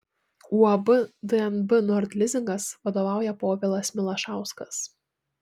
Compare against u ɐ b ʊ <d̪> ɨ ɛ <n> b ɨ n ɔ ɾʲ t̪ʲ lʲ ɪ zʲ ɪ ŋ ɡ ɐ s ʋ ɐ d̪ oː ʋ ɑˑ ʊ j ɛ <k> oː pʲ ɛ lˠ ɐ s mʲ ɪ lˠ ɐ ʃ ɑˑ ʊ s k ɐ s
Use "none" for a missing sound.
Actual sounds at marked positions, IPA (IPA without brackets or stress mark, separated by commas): d̪, n, p